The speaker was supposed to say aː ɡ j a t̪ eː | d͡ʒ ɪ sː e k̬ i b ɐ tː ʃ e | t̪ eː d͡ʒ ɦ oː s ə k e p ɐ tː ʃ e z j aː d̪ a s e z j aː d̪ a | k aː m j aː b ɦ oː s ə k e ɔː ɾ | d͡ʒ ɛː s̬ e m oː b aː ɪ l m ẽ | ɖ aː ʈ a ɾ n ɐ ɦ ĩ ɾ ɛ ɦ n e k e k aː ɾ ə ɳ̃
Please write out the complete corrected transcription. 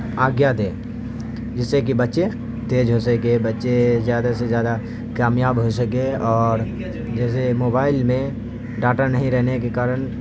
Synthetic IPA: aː ɡ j a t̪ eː | d͡ʒ ɪ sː e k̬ i b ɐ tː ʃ e | t̪ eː d͡ʒ ɦ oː s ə k e b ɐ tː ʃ e z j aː d̪ a s e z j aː d̪ a | k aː m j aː b ɦ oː s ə k e ɔː ɾ | d͡ʒ ɛː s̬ e m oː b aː ɪ l m ẽ | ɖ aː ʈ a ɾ n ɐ ɦ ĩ ɾ ɛ ɦ n e k e k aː ɾ ə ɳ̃